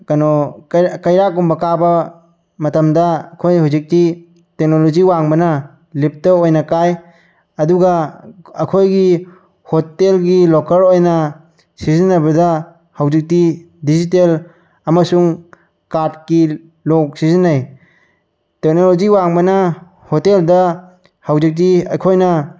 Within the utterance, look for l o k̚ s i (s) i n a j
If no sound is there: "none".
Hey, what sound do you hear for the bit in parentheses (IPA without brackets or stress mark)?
z